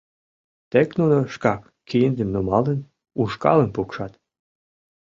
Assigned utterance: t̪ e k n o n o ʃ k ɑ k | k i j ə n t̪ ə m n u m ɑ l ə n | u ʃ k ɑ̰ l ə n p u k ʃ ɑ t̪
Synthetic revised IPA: t̪ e k n u n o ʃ k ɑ k | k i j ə n d̪ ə m n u m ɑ l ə n | u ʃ k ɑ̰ l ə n p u k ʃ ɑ t̪